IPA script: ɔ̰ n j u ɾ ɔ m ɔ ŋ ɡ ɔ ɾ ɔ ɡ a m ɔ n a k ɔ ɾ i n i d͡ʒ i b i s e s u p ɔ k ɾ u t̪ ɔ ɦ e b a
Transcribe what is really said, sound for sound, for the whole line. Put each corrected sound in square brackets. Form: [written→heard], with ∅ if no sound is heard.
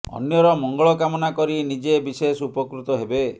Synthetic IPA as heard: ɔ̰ n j [u→ɔ] ɾ ɔ m ɔ ŋ ɡ ɔ [ɾ→ɭ] ɔ [ɡ→k] a m ɔ n a k ɔ ɾ i n i d͡ʒ [i→e] b i s e s u p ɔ k ɾ u t̪ ɔ ɦ e b [a→e]